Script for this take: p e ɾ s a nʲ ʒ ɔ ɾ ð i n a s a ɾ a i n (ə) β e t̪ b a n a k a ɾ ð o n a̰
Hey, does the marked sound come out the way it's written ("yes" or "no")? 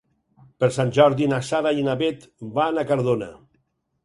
no